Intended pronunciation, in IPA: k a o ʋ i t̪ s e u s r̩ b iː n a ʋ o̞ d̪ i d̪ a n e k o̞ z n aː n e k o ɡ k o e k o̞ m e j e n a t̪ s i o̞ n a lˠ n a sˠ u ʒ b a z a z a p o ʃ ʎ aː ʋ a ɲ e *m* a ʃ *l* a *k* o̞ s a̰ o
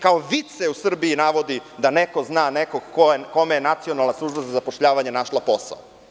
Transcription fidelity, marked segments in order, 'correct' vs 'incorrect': incorrect: n, correct, incorrect: p

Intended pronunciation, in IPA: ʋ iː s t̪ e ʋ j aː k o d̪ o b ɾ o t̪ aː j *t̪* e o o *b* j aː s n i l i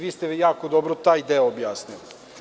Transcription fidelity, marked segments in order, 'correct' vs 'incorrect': incorrect: d̪, correct

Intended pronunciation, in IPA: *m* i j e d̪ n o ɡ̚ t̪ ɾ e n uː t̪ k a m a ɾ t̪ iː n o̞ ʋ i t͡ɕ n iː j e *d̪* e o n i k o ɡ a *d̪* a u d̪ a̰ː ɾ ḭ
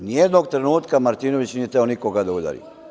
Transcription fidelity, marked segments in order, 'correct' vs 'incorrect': incorrect: n, incorrect: t̪, correct

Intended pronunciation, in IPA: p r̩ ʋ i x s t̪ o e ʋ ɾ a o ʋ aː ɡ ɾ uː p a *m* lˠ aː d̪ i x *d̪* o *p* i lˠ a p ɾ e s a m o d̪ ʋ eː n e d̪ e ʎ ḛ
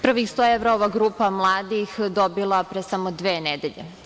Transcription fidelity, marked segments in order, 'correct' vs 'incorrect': correct, correct, incorrect: b

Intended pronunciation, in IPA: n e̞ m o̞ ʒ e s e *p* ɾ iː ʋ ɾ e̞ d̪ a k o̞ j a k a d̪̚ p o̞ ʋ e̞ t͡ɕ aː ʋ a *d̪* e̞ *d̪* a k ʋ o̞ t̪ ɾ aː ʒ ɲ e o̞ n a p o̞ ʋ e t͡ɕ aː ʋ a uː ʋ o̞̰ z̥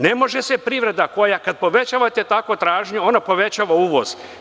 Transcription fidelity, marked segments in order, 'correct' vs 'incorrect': correct, incorrect: t̪, incorrect: t̪

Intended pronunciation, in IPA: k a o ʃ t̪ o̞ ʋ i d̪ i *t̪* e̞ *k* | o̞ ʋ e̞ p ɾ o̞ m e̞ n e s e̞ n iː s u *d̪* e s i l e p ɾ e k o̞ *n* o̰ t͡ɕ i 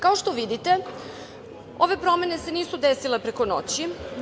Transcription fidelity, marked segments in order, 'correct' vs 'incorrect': correct, incorrect: none, correct, correct

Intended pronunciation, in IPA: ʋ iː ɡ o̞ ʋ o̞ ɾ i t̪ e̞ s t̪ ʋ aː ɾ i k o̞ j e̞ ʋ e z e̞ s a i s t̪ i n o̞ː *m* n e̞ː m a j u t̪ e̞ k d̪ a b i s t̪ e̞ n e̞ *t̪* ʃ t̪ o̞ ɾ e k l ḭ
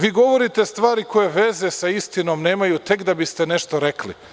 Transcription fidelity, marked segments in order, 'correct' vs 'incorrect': correct, incorrect: none

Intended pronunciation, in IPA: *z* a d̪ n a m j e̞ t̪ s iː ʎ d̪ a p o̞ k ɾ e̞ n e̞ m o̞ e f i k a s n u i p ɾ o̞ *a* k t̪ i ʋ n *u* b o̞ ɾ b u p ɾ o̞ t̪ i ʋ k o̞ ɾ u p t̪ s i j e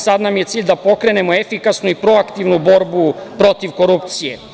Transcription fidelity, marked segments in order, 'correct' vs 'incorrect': incorrect: s, correct, correct

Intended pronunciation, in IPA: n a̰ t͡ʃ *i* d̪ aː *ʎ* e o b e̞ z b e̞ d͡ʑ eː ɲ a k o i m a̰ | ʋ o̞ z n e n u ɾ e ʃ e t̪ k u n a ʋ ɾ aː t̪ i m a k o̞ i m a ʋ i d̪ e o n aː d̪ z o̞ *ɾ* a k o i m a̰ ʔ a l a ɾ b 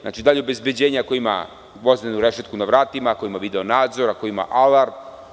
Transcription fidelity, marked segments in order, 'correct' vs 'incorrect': correct, correct, correct

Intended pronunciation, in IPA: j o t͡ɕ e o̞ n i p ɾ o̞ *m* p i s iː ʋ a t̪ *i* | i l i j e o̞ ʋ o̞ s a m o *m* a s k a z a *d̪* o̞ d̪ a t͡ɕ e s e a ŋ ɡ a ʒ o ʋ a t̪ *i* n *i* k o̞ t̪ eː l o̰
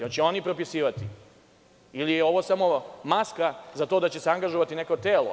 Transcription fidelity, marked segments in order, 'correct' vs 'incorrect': incorrect: none, correct, correct, incorrect: t̪, correct, incorrect: e

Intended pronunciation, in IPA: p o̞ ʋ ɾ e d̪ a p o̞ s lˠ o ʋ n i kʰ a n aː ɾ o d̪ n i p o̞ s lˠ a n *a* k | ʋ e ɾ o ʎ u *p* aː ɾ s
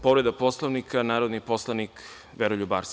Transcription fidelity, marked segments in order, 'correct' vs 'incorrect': incorrect: i, incorrect: b

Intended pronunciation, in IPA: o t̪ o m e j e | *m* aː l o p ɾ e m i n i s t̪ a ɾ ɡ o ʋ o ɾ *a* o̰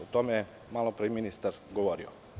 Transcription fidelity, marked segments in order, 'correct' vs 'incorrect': correct, incorrect: i

